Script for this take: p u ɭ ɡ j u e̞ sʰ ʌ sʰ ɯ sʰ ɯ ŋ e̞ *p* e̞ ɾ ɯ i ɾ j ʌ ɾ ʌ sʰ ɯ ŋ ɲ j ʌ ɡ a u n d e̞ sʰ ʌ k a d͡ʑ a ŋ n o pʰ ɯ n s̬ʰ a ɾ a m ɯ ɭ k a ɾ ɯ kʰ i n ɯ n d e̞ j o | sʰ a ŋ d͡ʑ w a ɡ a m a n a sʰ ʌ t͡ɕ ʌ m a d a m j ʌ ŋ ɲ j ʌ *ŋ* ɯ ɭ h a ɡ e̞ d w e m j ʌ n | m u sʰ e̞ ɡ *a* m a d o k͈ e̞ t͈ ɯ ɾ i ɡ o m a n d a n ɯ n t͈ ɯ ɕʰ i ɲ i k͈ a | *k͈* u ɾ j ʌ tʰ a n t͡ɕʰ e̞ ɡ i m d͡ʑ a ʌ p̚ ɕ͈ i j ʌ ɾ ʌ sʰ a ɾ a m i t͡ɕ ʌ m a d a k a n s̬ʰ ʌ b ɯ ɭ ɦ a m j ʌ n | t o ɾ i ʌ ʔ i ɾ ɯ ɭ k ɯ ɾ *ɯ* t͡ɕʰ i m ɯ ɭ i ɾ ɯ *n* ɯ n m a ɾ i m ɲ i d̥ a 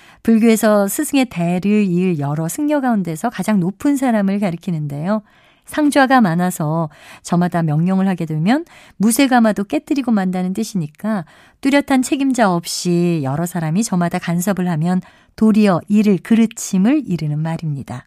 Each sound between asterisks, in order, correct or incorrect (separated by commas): incorrect, correct, correct, incorrect, correct, correct